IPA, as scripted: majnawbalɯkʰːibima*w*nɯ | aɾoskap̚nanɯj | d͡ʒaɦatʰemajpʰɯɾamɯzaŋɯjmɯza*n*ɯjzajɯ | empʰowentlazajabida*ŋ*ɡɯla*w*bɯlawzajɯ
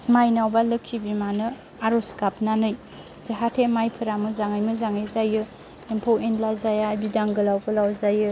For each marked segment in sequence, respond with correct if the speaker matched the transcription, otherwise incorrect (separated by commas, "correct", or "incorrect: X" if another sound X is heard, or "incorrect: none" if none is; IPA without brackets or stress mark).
incorrect: none, incorrect: ŋ, correct, correct